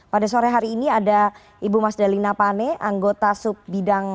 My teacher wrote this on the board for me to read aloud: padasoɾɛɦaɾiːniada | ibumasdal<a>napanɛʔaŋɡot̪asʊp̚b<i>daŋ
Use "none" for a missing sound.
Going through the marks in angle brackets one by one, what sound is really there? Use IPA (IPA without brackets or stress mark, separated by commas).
i, i